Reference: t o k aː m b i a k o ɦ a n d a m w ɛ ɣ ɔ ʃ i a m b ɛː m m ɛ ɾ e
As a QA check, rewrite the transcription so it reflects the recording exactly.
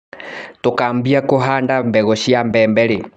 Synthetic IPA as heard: t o k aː m b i a k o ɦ a n d a m b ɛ ɣ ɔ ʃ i a m b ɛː m b ɛ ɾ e